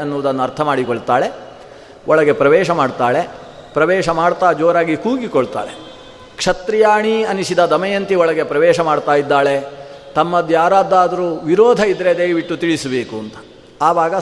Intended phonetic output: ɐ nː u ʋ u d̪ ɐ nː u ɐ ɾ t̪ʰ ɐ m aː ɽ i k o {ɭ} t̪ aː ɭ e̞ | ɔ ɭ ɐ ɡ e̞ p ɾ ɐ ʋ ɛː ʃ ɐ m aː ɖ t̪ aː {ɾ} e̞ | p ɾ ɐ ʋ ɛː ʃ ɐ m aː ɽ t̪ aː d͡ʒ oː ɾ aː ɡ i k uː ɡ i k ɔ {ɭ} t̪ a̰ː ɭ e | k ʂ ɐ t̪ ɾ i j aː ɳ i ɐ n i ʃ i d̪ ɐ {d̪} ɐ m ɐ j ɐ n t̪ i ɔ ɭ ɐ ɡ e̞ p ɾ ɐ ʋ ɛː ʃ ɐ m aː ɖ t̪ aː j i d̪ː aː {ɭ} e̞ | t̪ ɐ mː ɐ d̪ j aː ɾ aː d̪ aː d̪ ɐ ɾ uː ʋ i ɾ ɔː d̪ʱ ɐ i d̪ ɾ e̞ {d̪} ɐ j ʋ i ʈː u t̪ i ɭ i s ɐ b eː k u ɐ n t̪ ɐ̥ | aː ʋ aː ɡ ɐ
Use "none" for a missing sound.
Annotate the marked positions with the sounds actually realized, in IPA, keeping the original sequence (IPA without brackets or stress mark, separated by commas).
ɭ, ɭ, ɭ, d̪, ɭ, d̪